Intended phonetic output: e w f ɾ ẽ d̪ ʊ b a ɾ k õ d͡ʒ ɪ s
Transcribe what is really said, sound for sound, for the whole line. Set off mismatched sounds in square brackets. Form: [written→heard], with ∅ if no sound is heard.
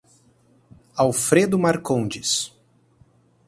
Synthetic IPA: [e→a] w f ɾ [ẽ→e] d̪ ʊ [b→m] a ɾ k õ d͡ʒ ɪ s